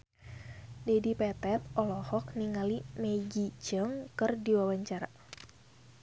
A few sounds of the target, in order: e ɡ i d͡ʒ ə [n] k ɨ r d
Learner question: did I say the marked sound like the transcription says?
no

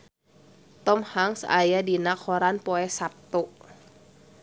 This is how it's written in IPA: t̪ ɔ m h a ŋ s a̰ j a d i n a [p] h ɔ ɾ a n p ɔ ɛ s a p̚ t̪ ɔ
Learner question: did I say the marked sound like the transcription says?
no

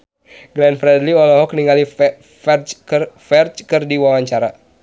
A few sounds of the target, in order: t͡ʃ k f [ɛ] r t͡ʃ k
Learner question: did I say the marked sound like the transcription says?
yes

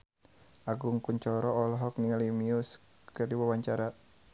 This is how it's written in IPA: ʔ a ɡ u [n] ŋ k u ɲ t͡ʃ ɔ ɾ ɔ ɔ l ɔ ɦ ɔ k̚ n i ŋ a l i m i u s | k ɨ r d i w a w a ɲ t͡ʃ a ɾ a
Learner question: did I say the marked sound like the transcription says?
no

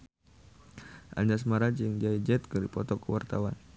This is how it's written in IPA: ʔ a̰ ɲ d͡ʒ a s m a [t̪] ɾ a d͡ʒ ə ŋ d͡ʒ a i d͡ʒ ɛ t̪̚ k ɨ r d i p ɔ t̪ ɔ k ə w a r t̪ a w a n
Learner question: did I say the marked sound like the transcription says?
no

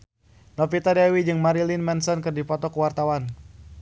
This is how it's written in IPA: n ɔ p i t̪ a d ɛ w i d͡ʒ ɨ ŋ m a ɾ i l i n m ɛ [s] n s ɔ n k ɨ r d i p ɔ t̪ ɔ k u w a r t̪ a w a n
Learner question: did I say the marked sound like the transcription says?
no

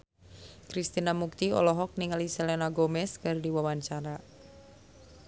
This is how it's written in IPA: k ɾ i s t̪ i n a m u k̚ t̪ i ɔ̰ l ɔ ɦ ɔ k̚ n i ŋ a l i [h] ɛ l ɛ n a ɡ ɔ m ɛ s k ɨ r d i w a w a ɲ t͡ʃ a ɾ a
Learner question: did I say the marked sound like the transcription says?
no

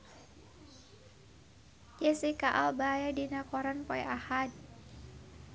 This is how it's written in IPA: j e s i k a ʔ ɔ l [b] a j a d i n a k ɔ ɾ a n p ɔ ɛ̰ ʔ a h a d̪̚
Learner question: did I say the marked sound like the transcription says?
yes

